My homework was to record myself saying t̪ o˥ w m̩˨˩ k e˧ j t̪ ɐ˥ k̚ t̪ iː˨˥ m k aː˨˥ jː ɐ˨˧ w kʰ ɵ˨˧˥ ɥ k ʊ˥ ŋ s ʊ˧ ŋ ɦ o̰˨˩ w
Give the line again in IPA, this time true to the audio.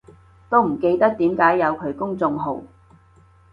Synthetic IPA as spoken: t̪ o˥ w m̩˨˩ k e˧ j t̪ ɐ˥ k̚ t̪ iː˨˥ m k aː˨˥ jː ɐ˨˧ w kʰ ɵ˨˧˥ ɥ k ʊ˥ ŋ t͡s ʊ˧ ŋ ɦ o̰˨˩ w

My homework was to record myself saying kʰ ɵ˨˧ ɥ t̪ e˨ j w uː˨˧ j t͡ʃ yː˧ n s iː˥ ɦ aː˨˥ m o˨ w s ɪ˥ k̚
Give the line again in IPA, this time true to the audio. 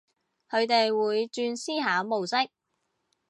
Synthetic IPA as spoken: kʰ ɵ˨˧ ɥ t̪ e˨ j w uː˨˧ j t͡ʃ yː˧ n s iː˥ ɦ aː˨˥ m o˨ w s ɪ˥ k̚

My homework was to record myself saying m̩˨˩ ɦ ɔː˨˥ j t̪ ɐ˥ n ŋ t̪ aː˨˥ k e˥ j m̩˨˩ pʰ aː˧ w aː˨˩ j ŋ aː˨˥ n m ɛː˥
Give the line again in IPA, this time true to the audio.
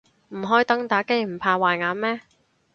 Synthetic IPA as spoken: m̩˨˩ ɦ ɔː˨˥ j t̪ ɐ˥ ŋ t̪ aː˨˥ k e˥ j m̩˨˩ pʰ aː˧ w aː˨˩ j ŋ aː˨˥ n m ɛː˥

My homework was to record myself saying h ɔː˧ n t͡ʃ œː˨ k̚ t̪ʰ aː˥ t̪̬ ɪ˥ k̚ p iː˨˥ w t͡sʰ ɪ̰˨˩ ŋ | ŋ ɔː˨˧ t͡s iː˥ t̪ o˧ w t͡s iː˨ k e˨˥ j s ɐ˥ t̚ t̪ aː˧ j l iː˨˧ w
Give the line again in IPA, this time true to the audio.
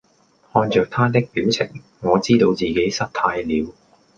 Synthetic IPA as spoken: h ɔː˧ n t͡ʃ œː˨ k̚ t̪ʰ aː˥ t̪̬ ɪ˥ k̚ p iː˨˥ w t͡sʰ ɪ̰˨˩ ŋ | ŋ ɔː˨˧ t͡s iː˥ t̪ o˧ w t͡s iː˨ k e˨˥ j s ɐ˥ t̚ t̪ʰ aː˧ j l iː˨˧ w

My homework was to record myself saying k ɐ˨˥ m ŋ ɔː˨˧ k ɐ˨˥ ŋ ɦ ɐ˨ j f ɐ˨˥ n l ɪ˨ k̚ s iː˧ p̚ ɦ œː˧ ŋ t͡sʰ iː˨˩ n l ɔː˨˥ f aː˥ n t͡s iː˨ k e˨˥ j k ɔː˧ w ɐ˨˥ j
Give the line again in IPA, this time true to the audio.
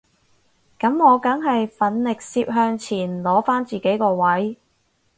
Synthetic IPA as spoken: k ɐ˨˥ m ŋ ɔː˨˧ k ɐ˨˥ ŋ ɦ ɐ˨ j f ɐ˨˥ n l ɪ˨ k̚ s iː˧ p̚ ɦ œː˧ ŋ t͡sʰ iː˨˩ n l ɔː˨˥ f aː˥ n t͡s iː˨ k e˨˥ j k ɔː˧ w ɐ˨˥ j

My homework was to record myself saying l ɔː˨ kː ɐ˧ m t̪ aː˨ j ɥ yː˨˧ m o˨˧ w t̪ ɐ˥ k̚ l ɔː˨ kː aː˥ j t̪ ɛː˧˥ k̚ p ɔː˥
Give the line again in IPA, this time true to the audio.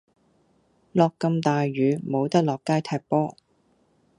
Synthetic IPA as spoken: l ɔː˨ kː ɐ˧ m t̪ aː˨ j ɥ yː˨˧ m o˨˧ w t̪ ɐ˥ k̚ l ɔː˨ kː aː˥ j t̪ʰ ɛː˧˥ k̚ p ɔː˥

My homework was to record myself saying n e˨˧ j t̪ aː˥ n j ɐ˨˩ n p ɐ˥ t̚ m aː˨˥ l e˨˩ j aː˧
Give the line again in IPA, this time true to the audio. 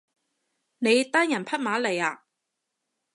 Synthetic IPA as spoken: n e˨˧ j t̪ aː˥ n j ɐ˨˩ n pʰ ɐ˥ t̚ m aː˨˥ l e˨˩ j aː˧

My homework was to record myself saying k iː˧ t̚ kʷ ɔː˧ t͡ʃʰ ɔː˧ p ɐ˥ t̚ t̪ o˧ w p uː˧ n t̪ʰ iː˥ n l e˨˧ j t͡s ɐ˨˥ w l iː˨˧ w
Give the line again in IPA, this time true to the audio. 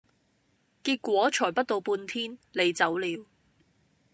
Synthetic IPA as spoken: k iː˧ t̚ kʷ ɔː˨˥ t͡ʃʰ ɔː˨˩ p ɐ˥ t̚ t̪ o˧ w p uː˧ n t̪ʰ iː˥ n l e˨˧ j t͡s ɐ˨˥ w l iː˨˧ w

